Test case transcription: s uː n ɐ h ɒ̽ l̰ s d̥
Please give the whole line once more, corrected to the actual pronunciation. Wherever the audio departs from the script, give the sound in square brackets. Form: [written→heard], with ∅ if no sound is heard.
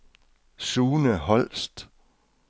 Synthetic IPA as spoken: s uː n [ɐ→ə] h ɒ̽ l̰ s d̥